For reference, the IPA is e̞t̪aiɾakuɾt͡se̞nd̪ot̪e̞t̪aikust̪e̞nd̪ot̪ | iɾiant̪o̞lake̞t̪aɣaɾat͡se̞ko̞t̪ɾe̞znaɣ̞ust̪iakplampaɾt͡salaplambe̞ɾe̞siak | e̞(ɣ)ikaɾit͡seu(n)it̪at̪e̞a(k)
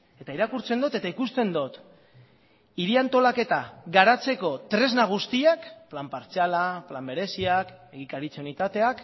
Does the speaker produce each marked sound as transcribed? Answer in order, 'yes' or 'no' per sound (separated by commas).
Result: yes, yes, yes